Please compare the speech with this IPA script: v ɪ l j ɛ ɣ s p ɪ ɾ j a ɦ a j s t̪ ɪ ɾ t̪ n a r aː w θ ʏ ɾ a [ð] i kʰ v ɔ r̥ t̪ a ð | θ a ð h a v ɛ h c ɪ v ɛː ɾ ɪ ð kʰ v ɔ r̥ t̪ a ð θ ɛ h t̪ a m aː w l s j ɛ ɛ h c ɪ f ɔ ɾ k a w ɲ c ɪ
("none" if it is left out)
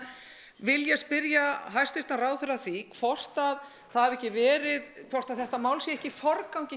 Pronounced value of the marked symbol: θ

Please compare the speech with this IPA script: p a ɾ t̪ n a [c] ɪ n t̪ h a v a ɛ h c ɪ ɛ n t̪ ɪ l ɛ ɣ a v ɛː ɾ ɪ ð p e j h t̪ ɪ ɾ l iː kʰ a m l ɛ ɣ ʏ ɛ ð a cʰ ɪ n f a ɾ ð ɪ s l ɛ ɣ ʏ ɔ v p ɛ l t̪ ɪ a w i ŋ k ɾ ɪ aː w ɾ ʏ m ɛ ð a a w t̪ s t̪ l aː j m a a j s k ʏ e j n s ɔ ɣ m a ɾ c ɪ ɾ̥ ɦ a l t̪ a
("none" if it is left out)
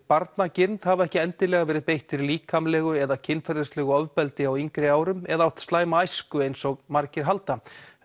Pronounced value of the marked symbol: c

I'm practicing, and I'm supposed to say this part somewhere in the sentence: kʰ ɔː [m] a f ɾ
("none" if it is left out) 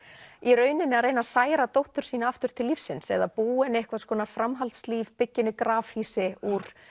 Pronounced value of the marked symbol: n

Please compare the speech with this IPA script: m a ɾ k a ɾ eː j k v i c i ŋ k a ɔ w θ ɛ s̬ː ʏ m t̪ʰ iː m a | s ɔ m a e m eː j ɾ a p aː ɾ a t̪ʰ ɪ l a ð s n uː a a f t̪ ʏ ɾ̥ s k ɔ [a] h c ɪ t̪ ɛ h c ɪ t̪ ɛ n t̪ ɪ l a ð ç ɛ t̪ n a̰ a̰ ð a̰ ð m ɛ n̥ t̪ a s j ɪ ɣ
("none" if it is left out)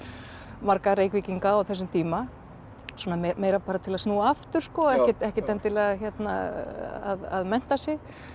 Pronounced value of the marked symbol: ɛ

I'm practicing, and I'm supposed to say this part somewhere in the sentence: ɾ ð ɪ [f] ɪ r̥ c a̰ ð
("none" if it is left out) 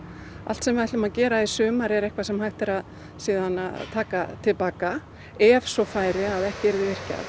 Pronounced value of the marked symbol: v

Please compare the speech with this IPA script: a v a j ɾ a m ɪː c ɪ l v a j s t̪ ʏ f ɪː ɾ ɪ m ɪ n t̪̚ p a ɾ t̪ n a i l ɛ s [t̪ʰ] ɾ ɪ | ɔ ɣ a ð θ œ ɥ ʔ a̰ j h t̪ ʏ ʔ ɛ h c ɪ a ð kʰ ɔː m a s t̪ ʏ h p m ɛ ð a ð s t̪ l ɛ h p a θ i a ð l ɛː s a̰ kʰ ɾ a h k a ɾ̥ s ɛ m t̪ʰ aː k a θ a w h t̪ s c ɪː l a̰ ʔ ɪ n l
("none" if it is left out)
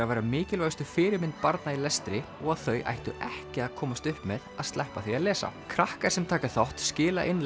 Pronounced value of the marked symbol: t̪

